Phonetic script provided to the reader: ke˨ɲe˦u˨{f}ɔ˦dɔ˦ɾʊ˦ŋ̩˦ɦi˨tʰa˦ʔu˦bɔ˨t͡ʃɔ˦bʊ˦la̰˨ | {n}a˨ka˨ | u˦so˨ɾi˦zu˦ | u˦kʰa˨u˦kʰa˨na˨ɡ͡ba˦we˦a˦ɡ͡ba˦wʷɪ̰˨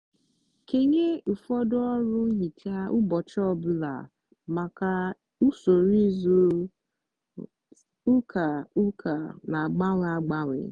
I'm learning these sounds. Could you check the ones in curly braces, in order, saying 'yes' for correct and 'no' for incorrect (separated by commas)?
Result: yes, no